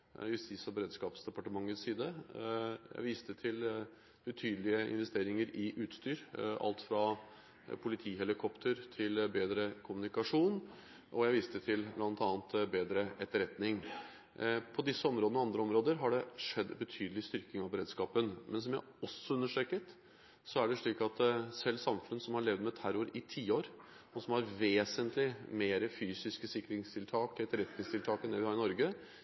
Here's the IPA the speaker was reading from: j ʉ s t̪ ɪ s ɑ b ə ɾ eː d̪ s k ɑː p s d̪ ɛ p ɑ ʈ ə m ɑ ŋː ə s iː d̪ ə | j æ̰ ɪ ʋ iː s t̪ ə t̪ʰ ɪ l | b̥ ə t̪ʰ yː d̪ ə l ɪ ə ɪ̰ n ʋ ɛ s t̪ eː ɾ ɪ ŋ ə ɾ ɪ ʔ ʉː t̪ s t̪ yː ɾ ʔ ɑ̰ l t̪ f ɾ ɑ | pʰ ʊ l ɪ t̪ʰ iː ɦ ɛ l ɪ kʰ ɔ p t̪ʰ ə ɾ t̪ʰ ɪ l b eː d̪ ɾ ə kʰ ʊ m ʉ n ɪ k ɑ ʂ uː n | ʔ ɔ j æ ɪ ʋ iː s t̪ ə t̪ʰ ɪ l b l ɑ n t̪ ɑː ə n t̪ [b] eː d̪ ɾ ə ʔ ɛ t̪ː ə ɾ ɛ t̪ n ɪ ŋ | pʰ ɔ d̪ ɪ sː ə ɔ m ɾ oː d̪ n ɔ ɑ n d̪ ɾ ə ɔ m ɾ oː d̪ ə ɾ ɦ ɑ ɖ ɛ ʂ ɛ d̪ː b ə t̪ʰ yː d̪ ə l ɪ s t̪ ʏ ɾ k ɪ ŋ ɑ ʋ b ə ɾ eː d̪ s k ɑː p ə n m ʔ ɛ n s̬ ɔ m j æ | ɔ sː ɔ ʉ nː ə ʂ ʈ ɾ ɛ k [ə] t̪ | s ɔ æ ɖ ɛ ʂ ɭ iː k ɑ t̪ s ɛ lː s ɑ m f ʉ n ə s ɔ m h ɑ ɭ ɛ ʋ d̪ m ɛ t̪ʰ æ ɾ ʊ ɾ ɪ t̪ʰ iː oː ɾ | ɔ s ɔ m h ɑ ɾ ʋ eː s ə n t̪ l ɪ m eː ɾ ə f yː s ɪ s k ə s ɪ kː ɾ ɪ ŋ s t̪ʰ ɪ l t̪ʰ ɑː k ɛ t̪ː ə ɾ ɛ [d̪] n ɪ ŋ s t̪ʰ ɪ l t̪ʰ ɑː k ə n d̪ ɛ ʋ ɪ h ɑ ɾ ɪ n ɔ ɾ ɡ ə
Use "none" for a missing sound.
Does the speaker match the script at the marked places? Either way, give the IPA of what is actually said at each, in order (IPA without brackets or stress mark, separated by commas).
b, ə, t̪